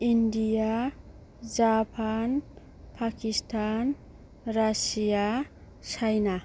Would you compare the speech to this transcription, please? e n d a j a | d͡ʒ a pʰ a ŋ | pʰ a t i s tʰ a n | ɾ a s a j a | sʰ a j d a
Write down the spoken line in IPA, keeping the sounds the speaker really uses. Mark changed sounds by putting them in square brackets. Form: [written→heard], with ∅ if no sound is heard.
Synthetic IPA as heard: [e→i] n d [a→i] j a | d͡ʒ a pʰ a [ŋ→n] | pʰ a [t→k] i s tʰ a n | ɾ a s [a→i] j a | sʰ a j [d→n] a